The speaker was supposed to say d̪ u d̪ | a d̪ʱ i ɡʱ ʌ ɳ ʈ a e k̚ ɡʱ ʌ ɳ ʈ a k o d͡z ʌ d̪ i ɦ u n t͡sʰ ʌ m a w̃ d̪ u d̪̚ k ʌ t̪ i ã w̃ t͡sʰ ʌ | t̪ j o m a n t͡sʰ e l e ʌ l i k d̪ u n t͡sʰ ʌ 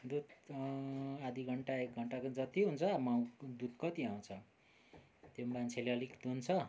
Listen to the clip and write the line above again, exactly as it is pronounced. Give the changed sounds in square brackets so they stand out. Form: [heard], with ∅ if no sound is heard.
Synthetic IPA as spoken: d̪ u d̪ | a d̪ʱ i ɡʱ ʌ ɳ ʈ a e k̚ ɡʱ ʌ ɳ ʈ a k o d͡z ʌ [t̪] i ɦ u n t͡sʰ ʌ m a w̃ d̪ u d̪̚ k ʌ t̪ i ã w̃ t͡sʰ ʌ | t̪ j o m a n t͡sʰ e l e ʌ l i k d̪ u n t͡sʰ ʌ